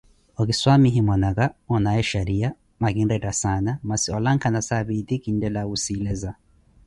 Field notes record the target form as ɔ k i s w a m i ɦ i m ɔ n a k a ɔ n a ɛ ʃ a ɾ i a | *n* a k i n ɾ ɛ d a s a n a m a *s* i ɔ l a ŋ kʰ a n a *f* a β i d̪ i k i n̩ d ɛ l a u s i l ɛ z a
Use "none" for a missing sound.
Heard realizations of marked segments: m, s, s

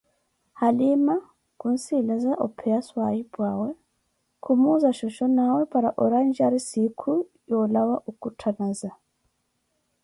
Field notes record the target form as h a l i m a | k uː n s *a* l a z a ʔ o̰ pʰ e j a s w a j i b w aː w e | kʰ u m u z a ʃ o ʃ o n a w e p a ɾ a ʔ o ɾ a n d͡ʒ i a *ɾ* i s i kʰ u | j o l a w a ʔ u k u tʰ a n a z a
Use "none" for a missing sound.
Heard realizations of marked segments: i, ɾ

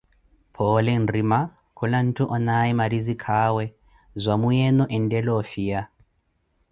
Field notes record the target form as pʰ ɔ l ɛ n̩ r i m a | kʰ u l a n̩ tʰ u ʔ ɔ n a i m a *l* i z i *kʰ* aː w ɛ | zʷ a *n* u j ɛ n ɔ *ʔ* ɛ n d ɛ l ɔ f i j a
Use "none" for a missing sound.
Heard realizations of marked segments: ɾ, kʰ, m, ʔ

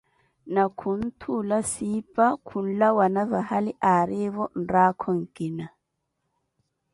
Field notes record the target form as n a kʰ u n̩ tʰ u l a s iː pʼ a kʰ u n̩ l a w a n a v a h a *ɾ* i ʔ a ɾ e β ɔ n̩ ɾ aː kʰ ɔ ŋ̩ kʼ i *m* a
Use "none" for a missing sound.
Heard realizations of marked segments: l, n

